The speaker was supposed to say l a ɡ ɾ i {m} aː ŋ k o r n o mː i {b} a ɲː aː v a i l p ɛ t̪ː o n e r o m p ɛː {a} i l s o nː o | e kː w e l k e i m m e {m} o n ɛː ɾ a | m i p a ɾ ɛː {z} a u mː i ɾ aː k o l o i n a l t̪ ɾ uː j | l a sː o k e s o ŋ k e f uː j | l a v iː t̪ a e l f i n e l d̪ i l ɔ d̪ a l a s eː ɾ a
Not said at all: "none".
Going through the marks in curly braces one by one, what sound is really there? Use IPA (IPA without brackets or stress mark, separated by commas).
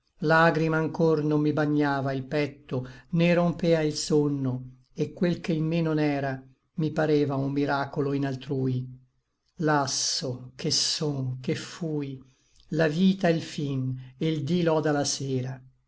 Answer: m, b, a, n, v